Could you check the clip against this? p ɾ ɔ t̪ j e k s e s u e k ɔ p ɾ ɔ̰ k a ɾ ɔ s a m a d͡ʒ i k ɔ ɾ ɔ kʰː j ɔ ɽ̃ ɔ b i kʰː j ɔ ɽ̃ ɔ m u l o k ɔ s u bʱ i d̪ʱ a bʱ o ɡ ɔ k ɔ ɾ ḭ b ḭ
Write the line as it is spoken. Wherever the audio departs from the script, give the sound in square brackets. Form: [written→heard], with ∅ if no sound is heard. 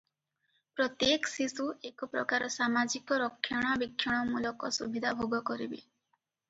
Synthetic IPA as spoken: p ɾ ɔ t̪ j e k s [e→i] s u e k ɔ p ɾ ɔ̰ k a ɾ ɔ s a m a d͡ʒ i k ɔ ɾ ɔ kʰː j ɔ ɽ̃ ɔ b i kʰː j ɔ ɽ̃ ɔ m u l [o→ɔ] k ɔ s u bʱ i d̪ʱ a bʱ o ɡ ɔ k ɔ ɾ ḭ b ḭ